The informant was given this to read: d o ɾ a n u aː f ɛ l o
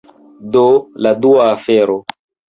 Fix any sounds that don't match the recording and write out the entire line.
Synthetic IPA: d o l a d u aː f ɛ ɾ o